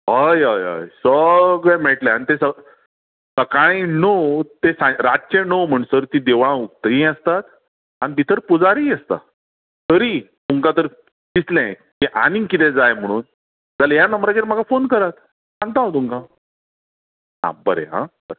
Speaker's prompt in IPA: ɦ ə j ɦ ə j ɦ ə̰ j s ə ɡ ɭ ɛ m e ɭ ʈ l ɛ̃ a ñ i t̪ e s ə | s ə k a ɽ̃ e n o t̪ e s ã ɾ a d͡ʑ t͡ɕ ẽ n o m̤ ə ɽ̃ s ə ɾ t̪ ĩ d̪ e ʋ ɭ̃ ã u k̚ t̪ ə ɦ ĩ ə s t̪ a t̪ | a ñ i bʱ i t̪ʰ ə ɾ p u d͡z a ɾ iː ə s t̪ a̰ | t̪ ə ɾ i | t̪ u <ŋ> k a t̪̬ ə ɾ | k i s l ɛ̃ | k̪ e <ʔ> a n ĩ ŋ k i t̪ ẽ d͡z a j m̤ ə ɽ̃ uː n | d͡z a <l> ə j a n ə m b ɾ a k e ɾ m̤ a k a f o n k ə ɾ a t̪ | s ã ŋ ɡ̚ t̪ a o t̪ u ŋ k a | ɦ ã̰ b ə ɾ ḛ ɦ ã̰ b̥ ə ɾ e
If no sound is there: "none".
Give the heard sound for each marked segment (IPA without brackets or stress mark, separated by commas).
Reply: ŋ, ʔ, l